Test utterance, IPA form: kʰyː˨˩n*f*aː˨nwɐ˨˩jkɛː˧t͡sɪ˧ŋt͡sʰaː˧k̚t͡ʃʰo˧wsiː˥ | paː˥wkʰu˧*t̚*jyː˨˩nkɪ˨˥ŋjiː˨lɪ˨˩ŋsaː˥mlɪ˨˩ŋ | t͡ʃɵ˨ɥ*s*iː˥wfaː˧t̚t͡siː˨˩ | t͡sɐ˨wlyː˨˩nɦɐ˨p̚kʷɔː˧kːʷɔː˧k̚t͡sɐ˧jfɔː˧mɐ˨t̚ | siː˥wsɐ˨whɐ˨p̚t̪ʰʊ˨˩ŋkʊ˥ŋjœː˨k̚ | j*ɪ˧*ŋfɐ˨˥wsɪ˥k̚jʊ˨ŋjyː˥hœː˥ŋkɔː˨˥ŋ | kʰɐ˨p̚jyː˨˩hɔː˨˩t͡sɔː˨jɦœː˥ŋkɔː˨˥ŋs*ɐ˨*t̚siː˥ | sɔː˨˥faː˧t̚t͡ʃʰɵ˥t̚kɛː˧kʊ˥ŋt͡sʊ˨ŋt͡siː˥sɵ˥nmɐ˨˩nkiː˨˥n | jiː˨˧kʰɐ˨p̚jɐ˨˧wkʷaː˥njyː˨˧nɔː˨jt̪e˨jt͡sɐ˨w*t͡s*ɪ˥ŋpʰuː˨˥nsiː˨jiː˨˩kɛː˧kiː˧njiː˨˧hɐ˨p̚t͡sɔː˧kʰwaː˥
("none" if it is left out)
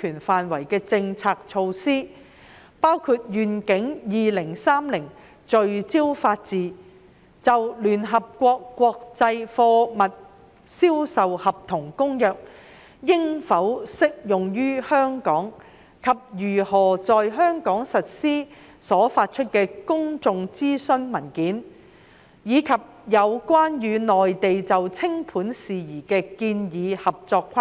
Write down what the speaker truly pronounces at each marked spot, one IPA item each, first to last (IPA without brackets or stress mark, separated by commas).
f, t̚, t͡s, ɪ˥, ɐ˨, t͡sʰ